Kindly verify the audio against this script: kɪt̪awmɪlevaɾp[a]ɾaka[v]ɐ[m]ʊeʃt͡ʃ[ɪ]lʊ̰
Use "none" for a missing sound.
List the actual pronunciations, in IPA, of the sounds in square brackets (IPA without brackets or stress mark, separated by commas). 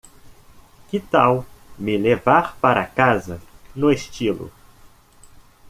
a, z, n, i